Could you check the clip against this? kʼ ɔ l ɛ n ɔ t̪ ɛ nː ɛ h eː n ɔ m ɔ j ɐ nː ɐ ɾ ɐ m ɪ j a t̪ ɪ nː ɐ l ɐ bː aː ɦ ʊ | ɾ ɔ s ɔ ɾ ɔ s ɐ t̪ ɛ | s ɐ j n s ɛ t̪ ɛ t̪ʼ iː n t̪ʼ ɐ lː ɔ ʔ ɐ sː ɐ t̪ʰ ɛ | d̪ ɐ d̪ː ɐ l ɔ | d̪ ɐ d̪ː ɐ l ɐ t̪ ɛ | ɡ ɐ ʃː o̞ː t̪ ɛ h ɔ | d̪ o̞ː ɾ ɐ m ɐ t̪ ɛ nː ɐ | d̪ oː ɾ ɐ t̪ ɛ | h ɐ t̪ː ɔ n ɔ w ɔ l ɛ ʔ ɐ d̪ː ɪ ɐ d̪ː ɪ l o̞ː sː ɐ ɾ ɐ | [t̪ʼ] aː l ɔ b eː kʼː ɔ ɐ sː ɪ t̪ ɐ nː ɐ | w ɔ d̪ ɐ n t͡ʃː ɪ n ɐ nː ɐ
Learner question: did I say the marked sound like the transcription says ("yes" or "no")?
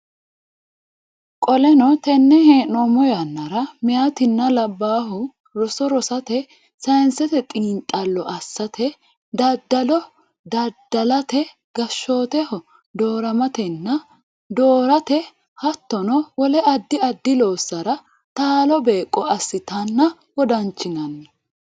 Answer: no